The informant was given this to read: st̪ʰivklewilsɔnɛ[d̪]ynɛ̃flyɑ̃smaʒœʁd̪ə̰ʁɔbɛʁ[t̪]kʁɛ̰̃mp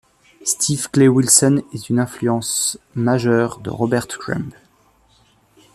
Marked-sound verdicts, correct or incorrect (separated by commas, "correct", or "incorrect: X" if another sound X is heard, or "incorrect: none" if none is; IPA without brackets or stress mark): incorrect: t̪, correct